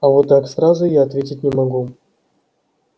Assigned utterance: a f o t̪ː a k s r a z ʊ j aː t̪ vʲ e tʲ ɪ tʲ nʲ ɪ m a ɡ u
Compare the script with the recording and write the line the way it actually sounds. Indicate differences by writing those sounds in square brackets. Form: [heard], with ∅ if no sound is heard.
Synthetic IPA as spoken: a [v] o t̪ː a k s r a z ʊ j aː t̪ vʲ e tʲ ɪ tʲ nʲ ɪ m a ɡ u